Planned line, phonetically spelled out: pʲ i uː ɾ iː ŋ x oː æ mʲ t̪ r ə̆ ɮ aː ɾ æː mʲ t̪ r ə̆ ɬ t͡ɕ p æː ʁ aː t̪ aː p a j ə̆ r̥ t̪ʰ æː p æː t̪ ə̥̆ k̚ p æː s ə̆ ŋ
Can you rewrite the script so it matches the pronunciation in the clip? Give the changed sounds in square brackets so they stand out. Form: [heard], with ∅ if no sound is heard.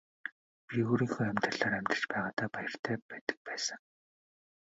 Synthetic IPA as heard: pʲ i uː ɾ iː ŋ x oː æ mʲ t̪ r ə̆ ɮ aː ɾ [æ] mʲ t̪ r ə̆ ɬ t͡ɕ p æː ʁ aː t̪ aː p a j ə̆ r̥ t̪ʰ æː p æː t̪ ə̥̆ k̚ p æː s ə̆ ŋ